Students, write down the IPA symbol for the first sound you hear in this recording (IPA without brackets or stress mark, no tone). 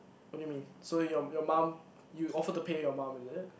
w